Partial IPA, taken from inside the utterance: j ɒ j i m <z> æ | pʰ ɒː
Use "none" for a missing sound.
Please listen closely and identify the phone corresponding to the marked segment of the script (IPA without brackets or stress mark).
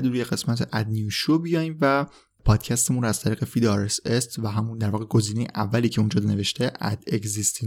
v